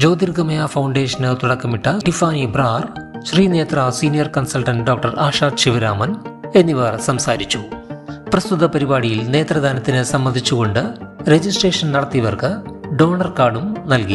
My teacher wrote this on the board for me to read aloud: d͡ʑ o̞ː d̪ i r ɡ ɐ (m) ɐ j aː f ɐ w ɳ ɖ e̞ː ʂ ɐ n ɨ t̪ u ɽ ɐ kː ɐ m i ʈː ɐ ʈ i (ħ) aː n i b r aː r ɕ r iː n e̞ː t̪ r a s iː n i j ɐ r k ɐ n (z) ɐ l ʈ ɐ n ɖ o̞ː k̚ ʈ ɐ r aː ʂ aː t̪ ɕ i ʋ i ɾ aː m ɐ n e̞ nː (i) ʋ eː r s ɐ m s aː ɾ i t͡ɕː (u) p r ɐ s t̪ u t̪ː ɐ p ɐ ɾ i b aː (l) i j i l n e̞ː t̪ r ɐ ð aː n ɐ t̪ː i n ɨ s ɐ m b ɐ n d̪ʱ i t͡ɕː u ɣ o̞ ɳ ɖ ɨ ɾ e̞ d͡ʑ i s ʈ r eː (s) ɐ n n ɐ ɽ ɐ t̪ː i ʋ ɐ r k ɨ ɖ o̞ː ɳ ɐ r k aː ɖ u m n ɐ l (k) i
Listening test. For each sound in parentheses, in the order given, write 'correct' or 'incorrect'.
correct, incorrect: f, incorrect: s, correct, correct, incorrect: ɽ, incorrect: ʂ, correct

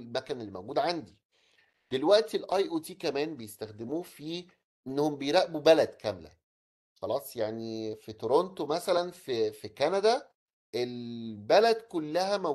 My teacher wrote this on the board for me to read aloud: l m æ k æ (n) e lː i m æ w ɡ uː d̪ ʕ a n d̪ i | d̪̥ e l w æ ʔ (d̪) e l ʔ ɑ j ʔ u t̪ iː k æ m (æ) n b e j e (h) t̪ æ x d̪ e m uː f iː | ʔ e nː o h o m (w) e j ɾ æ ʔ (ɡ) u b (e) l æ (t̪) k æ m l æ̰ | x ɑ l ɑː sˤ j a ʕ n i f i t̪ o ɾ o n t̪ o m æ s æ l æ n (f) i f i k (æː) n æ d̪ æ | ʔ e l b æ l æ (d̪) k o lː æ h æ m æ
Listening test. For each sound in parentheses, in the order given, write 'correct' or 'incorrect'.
correct, incorrect: t̪, incorrect: æː, incorrect: s, incorrect: b, incorrect: b, incorrect: æ, incorrect: d̪, correct, incorrect: æ, correct

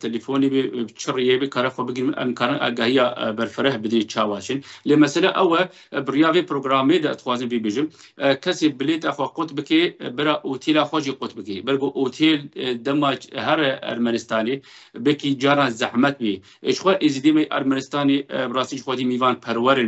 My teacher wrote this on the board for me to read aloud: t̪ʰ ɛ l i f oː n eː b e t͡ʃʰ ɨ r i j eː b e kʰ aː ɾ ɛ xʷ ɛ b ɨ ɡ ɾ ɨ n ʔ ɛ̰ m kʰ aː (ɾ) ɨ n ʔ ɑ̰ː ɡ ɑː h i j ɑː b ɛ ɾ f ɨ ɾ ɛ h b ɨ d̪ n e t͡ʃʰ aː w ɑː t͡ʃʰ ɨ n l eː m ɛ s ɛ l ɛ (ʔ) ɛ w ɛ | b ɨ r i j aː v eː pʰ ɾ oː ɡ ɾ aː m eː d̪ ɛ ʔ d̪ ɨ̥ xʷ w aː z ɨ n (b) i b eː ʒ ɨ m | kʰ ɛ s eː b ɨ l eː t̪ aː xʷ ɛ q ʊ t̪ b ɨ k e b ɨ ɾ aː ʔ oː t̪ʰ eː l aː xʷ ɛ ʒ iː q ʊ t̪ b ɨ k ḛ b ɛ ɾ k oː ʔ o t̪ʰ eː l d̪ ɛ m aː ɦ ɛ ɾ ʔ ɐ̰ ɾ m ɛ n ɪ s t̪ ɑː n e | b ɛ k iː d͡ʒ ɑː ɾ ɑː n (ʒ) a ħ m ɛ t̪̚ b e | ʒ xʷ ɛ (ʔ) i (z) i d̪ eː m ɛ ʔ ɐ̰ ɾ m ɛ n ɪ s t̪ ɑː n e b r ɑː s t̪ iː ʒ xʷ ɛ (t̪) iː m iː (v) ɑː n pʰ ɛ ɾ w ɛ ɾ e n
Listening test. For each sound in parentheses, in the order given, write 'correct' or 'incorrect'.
correct, correct, correct, incorrect: z, correct, correct, incorrect: d̪, correct

